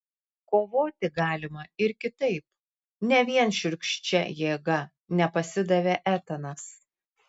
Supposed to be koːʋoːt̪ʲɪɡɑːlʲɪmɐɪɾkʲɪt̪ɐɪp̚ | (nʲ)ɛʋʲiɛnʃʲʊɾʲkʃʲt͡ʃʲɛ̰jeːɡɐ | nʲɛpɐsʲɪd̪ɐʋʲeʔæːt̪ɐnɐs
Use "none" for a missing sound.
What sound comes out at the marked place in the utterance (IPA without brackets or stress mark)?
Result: nʲ